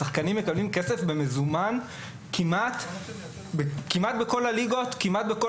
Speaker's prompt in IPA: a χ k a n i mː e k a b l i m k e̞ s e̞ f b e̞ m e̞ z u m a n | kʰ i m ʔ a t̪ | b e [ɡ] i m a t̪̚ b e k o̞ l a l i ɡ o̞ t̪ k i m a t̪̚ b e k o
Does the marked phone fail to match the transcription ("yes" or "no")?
yes